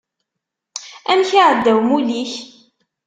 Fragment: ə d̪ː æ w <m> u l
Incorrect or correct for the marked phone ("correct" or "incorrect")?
correct